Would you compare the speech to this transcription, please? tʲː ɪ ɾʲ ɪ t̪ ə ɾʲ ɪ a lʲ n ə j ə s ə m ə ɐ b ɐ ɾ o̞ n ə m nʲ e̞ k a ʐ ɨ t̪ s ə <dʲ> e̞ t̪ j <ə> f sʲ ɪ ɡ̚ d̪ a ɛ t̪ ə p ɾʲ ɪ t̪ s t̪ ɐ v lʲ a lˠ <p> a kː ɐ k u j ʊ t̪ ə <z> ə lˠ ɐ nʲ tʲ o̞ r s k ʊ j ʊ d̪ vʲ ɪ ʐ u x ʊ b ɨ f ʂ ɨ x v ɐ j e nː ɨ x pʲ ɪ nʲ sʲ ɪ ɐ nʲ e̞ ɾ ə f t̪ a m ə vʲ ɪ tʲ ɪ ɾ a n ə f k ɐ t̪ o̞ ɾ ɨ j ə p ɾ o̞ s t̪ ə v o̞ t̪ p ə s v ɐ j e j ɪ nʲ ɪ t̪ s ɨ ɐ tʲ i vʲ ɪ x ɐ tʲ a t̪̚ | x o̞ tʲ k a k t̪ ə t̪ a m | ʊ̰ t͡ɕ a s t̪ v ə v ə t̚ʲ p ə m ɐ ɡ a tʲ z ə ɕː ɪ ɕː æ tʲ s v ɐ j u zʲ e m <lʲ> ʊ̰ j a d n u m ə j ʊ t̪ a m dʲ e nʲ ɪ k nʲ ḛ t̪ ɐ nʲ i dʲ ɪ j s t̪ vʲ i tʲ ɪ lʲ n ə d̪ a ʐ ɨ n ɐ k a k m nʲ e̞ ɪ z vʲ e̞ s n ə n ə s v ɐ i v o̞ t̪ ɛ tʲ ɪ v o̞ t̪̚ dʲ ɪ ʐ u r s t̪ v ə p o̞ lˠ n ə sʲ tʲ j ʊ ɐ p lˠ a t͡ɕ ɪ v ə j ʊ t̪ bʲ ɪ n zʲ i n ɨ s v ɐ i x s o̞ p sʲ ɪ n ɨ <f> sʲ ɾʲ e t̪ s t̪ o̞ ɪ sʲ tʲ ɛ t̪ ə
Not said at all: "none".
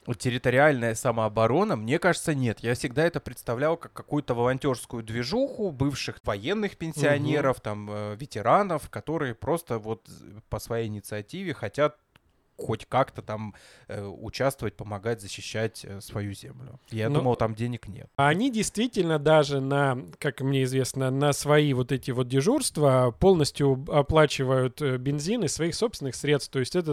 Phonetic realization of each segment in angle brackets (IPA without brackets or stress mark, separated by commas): nʲ, a, k, v, lʲ, x